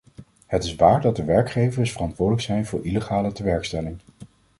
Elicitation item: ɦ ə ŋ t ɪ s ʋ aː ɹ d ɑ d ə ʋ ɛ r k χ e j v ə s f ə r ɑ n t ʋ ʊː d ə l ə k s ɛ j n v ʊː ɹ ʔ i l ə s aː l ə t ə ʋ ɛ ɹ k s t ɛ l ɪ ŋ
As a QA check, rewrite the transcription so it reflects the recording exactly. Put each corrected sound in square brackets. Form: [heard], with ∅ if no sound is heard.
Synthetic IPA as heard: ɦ ə [∅] t ɪ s ʋ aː ɹ d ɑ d ə ʋ ɛ [ɹ] k χ e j v ə s f ə r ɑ n t ʋ ʊː d ə l ə k s ɛ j n v ʊː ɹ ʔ i l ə [χ] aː l ə t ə ʋ ɛ ɹ k s t ɛ l ɪ ŋ